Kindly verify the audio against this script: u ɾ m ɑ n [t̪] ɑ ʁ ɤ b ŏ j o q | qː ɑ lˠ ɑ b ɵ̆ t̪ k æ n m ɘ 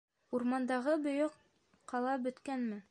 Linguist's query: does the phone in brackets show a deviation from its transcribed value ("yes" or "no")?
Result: yes